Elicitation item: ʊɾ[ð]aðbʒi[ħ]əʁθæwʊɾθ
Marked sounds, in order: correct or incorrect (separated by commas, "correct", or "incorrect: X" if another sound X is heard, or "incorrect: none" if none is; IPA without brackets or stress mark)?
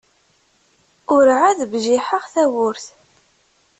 incorrect: ʕ, correct